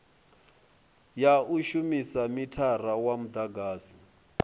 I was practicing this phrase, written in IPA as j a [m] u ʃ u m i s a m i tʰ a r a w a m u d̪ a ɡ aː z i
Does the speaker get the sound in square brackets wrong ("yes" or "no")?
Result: yes